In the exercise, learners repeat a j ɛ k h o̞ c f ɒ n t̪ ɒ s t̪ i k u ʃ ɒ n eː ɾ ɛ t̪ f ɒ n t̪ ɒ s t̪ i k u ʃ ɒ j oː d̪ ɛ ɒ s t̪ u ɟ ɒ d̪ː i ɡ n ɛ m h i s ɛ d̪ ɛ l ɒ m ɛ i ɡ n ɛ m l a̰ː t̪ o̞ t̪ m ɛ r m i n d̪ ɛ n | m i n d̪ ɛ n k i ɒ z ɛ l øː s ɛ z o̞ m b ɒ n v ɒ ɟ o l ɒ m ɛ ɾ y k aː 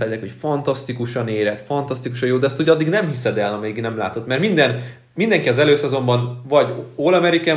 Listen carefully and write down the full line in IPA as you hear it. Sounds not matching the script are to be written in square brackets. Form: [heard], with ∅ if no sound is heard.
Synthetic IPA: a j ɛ k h o̞ c f ɒ n t̪ ɒ s t̪ i k u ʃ ɒ n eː ɾ ɛ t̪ f ɒ n t̪ ɒ s t̪ i k u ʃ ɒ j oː d̪ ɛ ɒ s t̪ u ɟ ɒ d̪ː i ɡ n ɛ m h i s ɛ d̪ ɛ l ɒ m ɛ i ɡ n ɛ m l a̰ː t̪ o̞ t̪ m ɛ r m i n d̪ ɛ n | m i n d̪ ɛ [ŋ] k i ɒ z ɛ l øː s ɛ z o̞ m b ɒ n v ɒ ɟ o l ɒ m ɛ ɾ [i] k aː